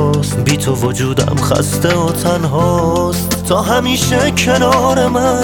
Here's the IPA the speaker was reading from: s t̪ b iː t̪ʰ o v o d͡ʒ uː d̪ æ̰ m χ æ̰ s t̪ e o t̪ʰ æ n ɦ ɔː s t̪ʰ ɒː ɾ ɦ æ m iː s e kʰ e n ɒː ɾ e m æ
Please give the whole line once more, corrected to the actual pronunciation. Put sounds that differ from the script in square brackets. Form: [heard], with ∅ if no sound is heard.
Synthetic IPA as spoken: s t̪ b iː t̪ʰ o v o d͡ʒ uː d̪ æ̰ m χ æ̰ s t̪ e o t̪ʰ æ n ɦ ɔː s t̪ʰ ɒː [∅] ɦ æ m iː [ʃ] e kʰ e n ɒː ɾ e m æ